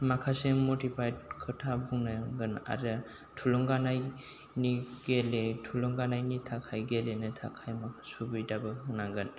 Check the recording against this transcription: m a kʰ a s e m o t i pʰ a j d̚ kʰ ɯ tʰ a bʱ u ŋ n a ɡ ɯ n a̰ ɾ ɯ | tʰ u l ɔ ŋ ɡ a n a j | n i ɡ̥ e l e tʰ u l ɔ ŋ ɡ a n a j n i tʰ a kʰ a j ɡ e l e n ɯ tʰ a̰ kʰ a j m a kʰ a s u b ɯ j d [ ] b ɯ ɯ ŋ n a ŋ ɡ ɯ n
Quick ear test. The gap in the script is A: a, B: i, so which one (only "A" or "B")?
A